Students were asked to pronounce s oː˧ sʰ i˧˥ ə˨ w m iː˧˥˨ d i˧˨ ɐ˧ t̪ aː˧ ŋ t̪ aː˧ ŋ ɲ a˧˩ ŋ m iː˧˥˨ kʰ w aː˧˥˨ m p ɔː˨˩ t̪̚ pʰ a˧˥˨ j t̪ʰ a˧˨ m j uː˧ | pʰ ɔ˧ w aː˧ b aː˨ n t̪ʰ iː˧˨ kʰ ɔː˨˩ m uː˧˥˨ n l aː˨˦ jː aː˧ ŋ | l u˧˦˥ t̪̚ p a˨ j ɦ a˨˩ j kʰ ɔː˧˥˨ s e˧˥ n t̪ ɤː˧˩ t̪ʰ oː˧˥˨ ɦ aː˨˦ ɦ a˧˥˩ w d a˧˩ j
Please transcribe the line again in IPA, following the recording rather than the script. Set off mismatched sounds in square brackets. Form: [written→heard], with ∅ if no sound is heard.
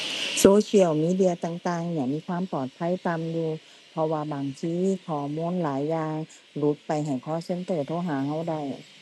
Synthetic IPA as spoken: s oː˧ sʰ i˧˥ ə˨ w m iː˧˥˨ d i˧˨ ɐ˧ t̪ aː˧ ŋ t̪ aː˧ ŋ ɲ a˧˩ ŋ m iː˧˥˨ kʰ w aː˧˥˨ m p ɔː˨˩ t̪̚ pʰ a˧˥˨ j [t̪ʰ→t̪] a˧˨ m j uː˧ | pʰ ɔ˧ w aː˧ b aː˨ [n→ŋ] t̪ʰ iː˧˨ kʰ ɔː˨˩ m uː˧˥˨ n l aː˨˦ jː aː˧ ŋ | l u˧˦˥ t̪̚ p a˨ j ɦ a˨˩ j kʰ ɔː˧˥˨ s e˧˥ n t̪ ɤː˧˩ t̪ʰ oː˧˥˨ ɦ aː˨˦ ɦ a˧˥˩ w d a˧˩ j

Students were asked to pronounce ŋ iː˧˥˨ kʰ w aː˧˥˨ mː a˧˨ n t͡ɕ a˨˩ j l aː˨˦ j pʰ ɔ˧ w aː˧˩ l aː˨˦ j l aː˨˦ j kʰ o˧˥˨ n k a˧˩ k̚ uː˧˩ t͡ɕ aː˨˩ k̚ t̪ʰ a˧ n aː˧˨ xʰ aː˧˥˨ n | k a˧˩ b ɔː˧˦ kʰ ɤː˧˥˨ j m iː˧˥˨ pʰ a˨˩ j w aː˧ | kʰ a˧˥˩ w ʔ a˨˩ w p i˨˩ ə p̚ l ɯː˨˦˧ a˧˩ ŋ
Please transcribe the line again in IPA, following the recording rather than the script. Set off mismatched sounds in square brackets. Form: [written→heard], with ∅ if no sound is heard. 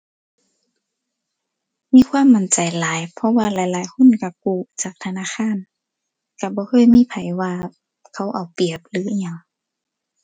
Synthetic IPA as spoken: [ŋ→m] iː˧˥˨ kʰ w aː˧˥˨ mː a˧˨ n t͡ɕ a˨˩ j l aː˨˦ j pʰ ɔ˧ w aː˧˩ l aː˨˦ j l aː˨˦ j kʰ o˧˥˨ n k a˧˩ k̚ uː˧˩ t͡ɕ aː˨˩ k̚ t̪ʰ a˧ n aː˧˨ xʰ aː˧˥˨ n | k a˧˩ b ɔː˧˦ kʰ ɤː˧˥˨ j m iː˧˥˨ pʰ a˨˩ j w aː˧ | kʰ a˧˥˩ w ʔ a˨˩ w p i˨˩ ə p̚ l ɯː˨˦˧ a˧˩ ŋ

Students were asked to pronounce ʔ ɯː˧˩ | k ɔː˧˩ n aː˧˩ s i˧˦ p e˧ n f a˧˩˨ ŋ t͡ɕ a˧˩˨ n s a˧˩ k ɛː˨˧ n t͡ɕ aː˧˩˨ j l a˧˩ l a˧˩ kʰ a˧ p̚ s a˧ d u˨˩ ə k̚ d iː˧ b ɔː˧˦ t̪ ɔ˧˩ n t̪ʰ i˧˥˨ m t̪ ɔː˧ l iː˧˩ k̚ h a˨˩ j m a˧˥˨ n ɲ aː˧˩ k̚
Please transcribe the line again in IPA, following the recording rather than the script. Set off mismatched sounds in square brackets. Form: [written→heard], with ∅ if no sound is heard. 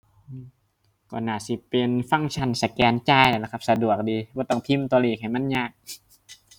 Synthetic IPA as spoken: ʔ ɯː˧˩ | k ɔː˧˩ n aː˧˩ s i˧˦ p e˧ n f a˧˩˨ ŋ [t͡ɕ→t͡ɕʰ] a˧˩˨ n s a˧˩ k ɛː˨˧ n t͡ɕ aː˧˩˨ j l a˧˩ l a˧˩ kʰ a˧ p̚ s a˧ d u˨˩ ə k̚ d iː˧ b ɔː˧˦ t̪ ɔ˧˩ [n→ŋ] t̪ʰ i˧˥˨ m t̪ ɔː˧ l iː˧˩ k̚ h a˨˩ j m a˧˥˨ n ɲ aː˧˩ k̚

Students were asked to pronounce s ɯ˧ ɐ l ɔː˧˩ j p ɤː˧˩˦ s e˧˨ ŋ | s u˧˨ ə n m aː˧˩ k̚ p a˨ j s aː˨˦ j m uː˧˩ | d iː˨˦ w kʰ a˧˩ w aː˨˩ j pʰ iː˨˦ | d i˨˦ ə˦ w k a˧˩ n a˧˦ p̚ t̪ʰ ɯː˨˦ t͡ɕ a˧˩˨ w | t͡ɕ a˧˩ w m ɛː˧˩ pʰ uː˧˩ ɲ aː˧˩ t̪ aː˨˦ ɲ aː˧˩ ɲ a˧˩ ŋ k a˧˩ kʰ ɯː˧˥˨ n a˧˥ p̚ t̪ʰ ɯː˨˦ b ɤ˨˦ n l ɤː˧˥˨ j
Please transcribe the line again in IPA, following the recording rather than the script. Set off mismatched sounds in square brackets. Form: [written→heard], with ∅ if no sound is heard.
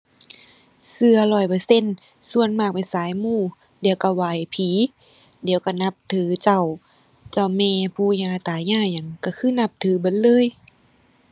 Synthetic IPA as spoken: s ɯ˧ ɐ l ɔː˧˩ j p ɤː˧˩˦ s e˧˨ [ŋ→n] | s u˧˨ ə n m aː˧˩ k̚ p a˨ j s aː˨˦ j m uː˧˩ | d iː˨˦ w [kʰ→k] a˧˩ w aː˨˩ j pʰ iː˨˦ | d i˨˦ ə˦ w k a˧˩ n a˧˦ p̚ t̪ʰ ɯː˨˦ t͡ɕ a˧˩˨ w | t͡ɕ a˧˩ w m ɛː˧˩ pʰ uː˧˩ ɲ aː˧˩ t̪ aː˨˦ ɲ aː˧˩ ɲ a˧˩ ŋ k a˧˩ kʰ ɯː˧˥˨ n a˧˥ p̚ t̪ʰ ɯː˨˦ b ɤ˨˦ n l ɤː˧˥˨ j

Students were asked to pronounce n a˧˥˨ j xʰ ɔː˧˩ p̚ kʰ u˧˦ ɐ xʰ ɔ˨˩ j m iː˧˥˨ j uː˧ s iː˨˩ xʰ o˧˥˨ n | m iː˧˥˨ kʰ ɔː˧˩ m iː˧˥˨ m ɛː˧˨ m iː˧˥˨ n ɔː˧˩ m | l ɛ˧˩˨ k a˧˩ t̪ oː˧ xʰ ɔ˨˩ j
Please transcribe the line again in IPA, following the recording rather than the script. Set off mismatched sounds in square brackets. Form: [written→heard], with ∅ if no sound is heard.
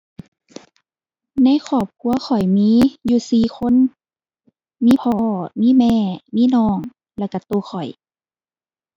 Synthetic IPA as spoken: n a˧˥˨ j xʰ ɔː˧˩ p̚ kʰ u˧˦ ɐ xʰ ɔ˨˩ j m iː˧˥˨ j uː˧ s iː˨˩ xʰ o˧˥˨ n | m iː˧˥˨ [kʰ→pʰ] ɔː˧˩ m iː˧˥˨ m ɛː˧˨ m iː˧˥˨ n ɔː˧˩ [m→ŋ] | l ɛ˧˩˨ k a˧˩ t̪ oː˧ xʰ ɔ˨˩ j

